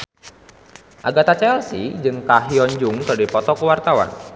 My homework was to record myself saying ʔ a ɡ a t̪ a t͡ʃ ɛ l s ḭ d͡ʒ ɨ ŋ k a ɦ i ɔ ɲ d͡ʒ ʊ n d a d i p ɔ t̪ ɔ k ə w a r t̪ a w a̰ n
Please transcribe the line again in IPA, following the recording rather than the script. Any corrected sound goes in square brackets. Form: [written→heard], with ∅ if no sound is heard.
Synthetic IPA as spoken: ʔ a ɡ a t̪ a t͡ʃ ɛ l s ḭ d͡ʒ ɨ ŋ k a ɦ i ɔ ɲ d͡ʒ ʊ [n→ŋ] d a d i p ɔ t̪ ɔ k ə w a r t̪ a w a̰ n